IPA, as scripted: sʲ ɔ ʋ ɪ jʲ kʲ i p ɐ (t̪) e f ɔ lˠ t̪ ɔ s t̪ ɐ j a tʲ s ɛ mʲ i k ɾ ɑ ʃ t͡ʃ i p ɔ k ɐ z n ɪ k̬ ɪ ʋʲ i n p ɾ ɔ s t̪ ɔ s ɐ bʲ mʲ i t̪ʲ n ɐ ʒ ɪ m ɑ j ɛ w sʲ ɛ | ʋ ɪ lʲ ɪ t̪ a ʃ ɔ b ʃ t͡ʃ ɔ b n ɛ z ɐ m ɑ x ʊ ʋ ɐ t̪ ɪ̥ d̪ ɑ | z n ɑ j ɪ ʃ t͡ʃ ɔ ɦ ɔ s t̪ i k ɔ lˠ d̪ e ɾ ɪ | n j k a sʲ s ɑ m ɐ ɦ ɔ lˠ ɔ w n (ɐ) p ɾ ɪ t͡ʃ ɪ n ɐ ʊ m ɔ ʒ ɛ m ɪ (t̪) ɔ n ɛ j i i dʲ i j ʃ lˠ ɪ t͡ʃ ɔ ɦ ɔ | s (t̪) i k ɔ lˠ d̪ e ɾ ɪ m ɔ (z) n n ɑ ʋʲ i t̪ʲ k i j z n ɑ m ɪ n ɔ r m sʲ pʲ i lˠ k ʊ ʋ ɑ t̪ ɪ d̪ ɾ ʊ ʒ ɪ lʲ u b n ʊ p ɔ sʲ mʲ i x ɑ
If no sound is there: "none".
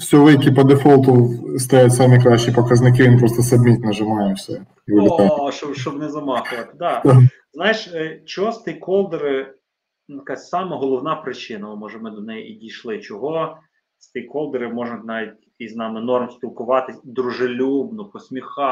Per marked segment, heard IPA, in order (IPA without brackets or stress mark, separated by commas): d̪, ɑ, d̪, t̪, ʒ